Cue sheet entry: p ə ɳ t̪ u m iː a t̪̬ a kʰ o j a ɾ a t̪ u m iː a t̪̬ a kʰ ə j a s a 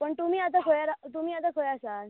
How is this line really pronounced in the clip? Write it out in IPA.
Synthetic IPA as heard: p ə ɳ t̪ u m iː a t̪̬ a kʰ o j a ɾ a t̪ u m iː a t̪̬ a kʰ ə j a s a

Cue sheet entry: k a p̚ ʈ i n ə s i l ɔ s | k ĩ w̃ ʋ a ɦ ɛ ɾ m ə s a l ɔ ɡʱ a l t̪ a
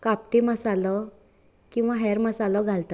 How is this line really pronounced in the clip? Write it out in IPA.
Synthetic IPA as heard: k a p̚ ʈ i m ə s a l ɔ | k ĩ w̃ ʋ a ɦ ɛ ɾ m ə s a l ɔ ɡʱ a l t̪ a

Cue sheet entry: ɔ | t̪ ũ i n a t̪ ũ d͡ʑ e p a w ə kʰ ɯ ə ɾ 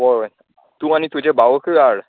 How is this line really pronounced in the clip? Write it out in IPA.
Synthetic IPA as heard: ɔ | t̪ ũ a n i t̪ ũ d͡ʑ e b a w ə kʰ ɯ a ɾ

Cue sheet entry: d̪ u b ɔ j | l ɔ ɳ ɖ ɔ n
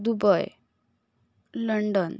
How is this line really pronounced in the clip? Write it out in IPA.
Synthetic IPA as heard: d̪ u b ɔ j | l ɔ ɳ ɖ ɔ n

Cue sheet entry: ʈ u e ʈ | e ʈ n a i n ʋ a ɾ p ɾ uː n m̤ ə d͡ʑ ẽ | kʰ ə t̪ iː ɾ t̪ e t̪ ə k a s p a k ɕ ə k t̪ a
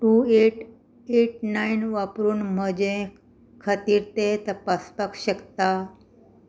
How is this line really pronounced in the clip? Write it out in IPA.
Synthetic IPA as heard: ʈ u e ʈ | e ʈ n a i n ʋ a p ɾ uː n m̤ ə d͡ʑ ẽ | kʰ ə t̪ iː ɾ t̪ e t̪ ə p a s p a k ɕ ə k t̪ a

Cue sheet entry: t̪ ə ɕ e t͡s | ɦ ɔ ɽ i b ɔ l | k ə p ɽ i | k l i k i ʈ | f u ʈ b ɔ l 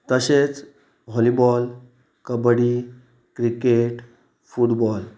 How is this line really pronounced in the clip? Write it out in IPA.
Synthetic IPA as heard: t̪ ə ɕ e t͡s | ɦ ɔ l i b ɔ l | k ə b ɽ i | k ɾ i k e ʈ | f u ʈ b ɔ l

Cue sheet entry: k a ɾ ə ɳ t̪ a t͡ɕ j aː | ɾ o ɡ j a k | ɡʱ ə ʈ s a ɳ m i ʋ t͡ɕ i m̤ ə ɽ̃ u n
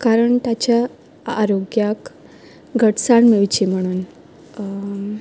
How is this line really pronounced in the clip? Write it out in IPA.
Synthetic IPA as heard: k a ɾ ə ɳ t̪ a t͡ɕ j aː | ɾ o ɡ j a k | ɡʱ ə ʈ s a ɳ m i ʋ t͡ɕ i m̤ ə ɽ̃ uː n

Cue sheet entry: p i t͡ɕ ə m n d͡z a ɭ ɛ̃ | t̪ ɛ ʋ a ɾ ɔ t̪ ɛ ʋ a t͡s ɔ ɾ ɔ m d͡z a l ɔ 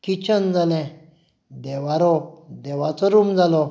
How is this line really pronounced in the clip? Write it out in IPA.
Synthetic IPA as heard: k i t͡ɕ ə n d͡z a l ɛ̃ | d̪ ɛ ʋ a ɾ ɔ d̪ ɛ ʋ a t͡s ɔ ɾ u m d͡z a l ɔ

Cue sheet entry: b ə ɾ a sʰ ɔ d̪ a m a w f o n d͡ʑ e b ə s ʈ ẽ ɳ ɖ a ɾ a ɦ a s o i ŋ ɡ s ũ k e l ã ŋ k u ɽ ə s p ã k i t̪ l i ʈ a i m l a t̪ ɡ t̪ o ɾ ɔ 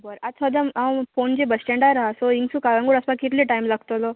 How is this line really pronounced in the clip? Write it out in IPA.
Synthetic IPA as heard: b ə ɾ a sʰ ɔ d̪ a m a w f o n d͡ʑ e b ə s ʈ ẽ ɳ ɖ a ɾ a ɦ a s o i ŋ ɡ s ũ k a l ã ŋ ɡ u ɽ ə s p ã k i t̪ l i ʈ a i m l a ɡ t̪ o l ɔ

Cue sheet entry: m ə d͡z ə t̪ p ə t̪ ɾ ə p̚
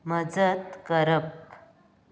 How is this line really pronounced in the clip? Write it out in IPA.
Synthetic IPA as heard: m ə d͡z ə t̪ k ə ɾ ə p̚

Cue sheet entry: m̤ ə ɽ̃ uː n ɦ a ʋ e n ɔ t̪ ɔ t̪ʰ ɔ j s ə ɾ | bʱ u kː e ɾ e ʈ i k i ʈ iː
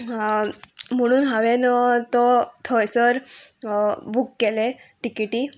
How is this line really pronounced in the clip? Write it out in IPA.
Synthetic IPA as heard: m̤ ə ɽ̃ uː n ɦ a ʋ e n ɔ t̪ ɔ t̪ʰ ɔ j s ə ɾ | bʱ u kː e l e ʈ i k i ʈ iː

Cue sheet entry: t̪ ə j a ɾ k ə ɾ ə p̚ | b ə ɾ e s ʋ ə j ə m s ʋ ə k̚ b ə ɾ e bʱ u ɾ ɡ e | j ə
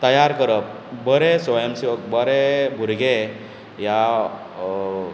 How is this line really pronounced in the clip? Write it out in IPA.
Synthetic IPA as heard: t̪ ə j a ɾ k ə ɾ ə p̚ | b ə ɾ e s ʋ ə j ə m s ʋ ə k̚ b ə ɾ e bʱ u ɾ ɡ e | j a

